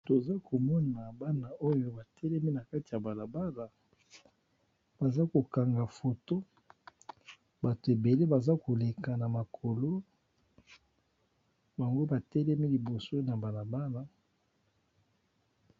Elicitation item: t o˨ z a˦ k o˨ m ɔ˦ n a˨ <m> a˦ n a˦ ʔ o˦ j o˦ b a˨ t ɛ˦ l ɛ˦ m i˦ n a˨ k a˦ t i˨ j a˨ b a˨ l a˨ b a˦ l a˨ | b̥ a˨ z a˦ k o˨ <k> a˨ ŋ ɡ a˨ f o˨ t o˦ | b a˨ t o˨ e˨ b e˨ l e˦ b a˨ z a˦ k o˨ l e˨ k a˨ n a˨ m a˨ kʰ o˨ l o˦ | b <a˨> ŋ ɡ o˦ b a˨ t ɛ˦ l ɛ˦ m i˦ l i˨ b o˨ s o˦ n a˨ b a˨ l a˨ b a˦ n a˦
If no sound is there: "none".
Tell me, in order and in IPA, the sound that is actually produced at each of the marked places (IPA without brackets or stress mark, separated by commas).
b, k, a˨